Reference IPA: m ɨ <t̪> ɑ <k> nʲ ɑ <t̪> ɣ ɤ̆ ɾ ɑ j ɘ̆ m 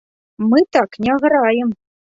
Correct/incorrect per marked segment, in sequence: correct, correct, incorrect: none

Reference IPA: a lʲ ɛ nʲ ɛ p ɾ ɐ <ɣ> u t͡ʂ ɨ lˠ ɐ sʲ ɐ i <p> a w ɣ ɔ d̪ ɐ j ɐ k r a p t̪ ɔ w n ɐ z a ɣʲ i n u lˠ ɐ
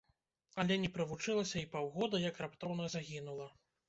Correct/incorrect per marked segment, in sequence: incorrect: v, correct

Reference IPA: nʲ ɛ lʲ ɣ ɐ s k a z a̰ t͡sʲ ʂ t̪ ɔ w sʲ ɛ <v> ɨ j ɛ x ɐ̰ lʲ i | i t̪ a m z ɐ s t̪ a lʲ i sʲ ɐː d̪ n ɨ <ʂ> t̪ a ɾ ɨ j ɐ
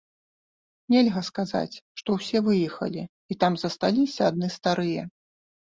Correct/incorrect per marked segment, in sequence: correct, incorrect: s

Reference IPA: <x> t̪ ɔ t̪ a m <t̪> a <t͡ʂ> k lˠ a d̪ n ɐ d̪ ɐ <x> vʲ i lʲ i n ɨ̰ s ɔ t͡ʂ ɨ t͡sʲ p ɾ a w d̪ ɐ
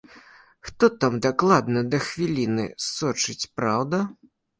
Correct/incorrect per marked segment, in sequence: correct, incorrect: d̪, incorrect: none, correct

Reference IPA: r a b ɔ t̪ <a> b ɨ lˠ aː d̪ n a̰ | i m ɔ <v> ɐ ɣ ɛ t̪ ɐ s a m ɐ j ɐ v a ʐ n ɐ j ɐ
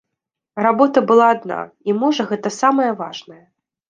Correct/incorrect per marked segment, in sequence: incorrect: ɐ, incorrect: ʐ

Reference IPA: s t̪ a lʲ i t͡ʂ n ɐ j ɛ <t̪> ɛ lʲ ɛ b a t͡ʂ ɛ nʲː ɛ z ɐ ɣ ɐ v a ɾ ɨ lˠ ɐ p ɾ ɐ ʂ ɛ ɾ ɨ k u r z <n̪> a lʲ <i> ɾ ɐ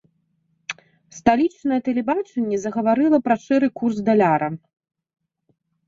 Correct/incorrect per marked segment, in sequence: correct, incorrect: d̪, incorrect: a

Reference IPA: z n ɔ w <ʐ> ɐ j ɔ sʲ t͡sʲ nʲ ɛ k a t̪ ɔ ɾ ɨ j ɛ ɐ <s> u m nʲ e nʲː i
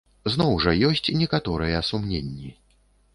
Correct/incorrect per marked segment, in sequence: correct, correct

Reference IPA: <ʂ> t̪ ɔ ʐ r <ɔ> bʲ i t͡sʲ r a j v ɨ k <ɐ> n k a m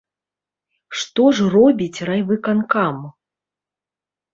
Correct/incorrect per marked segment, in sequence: correct, correct, incorrect: a

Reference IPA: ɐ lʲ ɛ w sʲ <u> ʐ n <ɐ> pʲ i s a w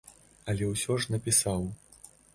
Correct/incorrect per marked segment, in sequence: incorrect: ɔ, correct

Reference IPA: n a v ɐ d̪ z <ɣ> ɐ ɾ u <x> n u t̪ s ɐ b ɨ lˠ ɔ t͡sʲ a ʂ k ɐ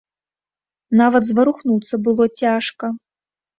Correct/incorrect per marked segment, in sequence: incorrect: v, correct

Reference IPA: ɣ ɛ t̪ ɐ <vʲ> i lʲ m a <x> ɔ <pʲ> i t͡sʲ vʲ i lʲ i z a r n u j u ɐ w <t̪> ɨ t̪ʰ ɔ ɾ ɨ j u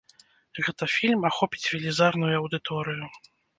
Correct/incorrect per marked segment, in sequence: incorrect: fʲ, correct, correct, incorrect: d̪

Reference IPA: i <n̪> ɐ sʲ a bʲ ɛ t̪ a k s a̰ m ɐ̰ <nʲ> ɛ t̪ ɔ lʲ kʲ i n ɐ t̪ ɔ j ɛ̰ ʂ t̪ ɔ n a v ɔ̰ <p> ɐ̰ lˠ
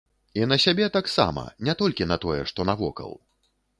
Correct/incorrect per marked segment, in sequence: correct, correct, incorrect: k

